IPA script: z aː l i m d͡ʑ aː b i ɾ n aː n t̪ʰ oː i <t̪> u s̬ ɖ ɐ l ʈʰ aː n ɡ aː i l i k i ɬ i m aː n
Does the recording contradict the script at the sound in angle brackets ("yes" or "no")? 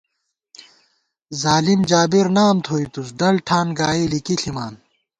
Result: no